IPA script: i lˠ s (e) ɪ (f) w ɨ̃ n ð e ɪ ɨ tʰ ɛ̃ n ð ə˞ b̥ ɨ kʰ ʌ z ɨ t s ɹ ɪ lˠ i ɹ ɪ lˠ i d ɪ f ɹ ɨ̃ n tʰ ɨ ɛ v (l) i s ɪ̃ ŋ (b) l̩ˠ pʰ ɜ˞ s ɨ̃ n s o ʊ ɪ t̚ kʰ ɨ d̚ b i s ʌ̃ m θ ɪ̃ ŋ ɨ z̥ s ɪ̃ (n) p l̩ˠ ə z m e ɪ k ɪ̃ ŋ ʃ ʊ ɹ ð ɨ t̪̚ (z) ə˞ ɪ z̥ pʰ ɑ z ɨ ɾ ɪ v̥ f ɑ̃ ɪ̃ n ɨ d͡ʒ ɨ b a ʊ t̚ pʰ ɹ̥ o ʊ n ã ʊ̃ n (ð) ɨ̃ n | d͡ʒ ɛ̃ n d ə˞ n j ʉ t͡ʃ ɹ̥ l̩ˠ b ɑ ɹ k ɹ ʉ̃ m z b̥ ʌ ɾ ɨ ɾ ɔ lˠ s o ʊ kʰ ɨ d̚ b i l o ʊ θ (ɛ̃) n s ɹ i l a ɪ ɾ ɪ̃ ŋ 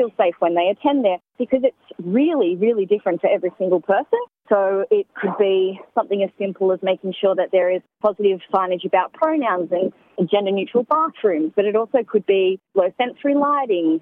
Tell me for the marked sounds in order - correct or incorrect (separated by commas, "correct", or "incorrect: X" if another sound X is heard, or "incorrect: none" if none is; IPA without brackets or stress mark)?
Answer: correct, correct, incorrect: ɹ, incorrect: ɡ, incorrect: m, incorrect: ð, incorrect: z, correct